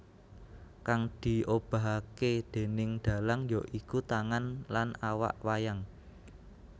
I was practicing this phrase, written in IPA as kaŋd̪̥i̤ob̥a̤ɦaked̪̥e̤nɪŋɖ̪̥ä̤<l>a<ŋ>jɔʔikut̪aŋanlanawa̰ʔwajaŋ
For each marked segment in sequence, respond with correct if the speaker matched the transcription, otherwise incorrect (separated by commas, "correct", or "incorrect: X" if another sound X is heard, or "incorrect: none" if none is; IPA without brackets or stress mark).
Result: correct, correct